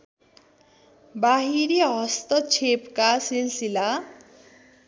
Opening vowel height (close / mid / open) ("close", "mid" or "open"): open